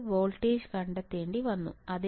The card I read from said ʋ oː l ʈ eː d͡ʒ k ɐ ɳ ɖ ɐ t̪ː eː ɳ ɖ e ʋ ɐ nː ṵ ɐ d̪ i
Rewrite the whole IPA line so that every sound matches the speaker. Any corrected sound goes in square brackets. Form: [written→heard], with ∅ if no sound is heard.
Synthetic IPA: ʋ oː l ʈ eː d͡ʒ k ɐ ɳ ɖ ɐ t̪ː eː ɳ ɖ [e→i] ʋ ɐ nː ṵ ɐ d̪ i